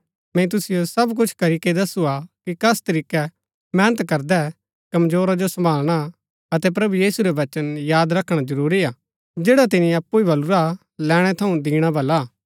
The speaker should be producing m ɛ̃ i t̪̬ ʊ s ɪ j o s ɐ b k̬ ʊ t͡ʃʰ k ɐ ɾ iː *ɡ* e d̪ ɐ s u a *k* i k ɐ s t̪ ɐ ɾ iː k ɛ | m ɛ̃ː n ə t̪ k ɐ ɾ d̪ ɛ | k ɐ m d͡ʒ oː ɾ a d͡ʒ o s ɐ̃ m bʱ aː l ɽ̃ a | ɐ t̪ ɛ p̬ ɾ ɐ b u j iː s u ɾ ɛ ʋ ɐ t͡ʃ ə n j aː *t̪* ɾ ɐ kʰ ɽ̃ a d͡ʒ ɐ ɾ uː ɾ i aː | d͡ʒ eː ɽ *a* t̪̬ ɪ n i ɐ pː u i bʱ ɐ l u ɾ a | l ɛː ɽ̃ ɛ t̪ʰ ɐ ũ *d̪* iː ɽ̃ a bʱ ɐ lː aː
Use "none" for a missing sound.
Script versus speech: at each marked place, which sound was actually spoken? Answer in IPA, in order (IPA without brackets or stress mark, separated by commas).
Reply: k, k, d̪, a, d̪